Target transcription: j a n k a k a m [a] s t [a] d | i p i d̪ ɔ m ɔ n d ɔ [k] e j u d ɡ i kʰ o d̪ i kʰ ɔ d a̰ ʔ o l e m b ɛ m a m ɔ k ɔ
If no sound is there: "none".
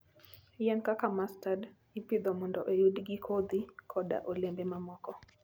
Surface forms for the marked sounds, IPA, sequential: a, a, ʔ

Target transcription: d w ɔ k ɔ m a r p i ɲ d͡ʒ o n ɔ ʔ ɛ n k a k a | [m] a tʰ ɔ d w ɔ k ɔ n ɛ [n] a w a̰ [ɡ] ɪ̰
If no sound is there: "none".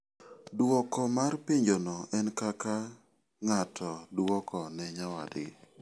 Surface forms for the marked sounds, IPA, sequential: ŋ, ɲ, d

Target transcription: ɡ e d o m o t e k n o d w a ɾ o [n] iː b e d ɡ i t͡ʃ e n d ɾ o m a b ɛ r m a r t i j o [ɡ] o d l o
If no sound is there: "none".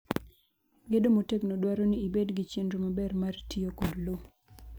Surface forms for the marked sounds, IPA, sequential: n, k

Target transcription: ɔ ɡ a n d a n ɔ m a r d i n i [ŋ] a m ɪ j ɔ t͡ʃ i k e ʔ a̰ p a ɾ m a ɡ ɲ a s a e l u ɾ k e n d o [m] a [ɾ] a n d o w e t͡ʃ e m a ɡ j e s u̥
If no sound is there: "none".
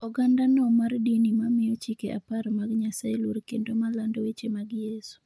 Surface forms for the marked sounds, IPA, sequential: m, m, l

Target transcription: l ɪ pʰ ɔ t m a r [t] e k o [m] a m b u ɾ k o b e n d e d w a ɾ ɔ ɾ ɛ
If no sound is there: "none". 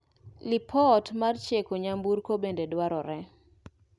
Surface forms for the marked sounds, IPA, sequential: t͡ʃ, ɲ

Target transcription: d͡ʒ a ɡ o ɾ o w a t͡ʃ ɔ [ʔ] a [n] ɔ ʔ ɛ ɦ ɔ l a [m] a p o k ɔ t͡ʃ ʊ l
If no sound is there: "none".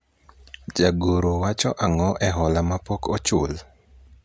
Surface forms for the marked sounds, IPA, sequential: ʔ, ŋ, m

